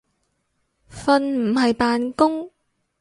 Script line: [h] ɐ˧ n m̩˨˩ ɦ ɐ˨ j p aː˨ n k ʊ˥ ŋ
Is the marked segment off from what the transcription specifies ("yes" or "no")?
yes